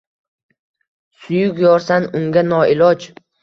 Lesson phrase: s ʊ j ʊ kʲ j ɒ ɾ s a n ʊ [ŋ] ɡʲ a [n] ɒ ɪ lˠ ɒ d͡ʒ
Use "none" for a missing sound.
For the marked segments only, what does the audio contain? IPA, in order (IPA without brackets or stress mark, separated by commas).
ŋ, n